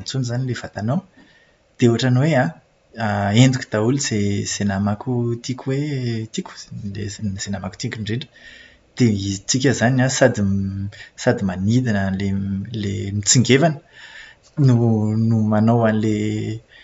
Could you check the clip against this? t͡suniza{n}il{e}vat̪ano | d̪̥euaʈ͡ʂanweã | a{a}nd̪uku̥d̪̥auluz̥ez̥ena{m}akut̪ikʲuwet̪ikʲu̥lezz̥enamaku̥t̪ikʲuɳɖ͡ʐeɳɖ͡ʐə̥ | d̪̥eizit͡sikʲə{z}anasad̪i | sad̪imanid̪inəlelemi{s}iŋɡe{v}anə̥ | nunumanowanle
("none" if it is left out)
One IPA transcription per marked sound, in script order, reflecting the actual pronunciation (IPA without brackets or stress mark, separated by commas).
n, e, e, m, z, t͡s, v